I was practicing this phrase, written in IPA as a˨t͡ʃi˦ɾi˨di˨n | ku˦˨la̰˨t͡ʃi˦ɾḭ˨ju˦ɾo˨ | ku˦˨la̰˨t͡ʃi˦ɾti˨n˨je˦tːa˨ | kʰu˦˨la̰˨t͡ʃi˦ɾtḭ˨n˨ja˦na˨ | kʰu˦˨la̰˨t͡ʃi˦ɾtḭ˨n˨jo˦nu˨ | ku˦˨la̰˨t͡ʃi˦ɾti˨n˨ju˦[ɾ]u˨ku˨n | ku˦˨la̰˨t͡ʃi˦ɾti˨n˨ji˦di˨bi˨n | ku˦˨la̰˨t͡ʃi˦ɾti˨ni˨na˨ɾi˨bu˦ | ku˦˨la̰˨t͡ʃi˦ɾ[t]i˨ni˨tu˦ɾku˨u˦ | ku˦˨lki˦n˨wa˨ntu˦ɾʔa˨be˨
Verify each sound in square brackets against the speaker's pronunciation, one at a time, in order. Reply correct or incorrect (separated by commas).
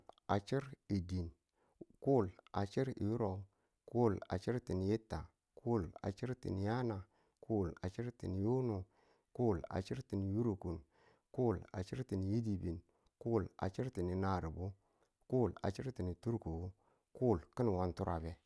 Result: correct, correct